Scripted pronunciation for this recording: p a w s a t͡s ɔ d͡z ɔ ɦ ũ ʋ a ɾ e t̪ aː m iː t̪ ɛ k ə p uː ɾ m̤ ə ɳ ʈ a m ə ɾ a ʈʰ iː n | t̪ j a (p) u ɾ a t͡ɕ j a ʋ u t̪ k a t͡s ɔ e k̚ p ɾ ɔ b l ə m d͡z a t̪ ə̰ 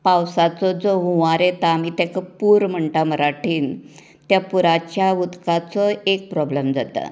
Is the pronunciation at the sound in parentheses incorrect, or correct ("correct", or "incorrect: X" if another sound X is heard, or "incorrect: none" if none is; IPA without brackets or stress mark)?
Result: correct